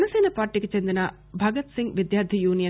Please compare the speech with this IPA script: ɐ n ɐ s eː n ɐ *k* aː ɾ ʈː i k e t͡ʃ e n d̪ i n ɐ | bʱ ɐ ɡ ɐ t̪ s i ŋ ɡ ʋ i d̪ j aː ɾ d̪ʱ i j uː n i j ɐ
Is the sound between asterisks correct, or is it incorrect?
incorrect